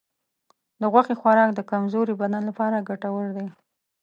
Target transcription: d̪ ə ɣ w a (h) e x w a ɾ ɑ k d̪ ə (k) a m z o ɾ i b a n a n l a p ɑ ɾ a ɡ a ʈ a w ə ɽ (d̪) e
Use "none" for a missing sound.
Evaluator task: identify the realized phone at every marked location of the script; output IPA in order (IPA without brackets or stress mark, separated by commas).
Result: x, k, d̪